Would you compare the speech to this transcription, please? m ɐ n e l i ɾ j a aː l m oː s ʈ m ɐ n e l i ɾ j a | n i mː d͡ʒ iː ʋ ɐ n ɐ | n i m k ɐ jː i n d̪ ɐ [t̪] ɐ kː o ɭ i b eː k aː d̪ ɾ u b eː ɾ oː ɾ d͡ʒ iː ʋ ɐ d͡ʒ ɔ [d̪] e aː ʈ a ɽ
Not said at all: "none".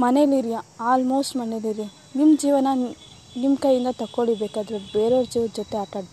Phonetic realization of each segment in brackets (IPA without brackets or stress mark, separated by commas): t̪, t̪